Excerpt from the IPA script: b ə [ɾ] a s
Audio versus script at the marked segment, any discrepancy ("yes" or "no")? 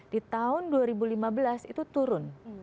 yes